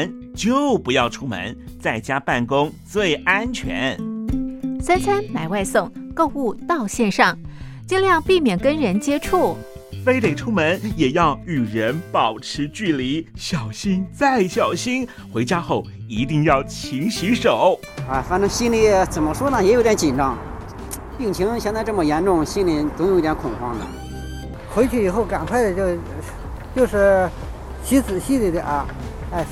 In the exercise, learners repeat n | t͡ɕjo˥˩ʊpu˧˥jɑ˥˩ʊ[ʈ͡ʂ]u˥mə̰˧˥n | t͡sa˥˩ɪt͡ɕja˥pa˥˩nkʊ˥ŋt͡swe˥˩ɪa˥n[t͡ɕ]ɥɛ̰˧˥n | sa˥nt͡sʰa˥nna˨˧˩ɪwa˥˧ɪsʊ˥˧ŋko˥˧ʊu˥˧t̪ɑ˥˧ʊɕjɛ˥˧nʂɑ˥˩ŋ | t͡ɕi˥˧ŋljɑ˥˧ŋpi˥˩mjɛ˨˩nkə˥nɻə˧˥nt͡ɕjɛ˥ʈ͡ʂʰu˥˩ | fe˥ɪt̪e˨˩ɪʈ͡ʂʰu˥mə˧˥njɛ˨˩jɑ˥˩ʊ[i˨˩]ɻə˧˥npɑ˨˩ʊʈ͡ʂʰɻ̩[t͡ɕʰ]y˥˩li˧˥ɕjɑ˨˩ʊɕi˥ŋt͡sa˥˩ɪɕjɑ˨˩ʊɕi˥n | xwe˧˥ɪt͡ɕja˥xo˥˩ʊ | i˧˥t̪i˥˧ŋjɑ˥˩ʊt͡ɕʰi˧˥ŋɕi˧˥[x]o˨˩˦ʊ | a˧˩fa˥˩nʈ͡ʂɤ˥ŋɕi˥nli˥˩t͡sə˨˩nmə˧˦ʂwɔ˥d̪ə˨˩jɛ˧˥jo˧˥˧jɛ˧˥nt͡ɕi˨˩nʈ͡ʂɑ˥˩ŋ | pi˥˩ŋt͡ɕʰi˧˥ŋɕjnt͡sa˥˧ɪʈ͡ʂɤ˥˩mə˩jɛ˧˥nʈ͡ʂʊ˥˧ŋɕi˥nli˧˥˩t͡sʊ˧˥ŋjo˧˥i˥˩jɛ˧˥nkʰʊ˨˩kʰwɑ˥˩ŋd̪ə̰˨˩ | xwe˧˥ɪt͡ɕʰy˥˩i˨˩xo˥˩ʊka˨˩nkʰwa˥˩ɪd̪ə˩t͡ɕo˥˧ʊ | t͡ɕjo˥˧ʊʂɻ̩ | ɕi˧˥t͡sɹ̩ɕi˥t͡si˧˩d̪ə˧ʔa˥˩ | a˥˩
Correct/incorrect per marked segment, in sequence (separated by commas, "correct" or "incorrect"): incorrect, incorrect, incorrect, incorrect, incorrect